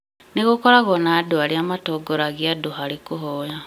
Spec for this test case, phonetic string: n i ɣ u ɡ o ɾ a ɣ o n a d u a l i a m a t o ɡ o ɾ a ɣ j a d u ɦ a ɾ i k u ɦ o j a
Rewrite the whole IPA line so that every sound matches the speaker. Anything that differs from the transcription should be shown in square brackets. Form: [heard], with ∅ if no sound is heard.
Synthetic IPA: n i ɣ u [k] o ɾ a ɣ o n a d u a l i a m a t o ɡ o ɾ a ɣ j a d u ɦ a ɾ i k u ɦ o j a